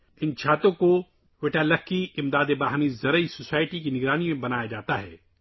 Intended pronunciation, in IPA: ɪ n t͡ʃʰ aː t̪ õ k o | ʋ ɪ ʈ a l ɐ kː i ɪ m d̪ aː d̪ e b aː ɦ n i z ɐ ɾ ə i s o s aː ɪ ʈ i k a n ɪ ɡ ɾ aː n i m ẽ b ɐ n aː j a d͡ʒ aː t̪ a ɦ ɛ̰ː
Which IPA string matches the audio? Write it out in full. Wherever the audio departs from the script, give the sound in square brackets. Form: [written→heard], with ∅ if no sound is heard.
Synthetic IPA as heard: ɪ n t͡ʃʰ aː t̪ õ k o | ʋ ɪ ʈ a l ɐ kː i ɪ m d̪ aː d̪ e b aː ɦ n i z ɐ ɾ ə i s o s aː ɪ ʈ i k [a→i] n ɪ ɡ ɾ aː n i m ẽ b ɐ n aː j a d͡ʒ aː t̪ a ɦ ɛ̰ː